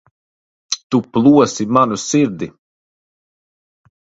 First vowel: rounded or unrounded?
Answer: rounded